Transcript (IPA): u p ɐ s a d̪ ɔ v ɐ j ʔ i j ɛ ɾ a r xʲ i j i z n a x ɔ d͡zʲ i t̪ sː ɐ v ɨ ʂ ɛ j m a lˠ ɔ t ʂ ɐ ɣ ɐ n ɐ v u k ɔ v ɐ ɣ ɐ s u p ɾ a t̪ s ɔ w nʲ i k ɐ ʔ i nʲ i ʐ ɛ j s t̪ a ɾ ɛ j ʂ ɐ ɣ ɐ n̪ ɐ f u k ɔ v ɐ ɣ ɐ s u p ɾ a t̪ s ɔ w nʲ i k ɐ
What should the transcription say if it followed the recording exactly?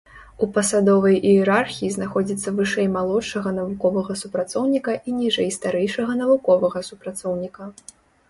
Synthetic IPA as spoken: u p ɐ s a d̪ ɔ v ɐ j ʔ i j ɛ ɾ a r xʲ i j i z n a x ɔ d͡zʲ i t̪ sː ɐ v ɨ ʂ ɛ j m a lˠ ɔ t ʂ ɐ ɣ ɐ n ɐ v u k ɔ v ɐ ɣ ɐ s u p ɾ a t̪ s ɔ w nʲ i k ɐ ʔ i nʲ i ʐ ɛ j s t̪ a ɾ ɛ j ʂ ɐ ɣ ɐ n̪ ɐ v u k ɔ v ɐ ɣ ɐ s u p ɾ a t̪ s ɔ w nʲ i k ɐ